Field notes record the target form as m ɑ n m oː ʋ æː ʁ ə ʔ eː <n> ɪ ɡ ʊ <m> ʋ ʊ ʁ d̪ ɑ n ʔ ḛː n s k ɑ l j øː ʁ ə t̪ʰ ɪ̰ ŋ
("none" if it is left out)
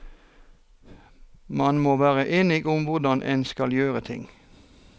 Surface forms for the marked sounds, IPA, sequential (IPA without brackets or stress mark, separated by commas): n, m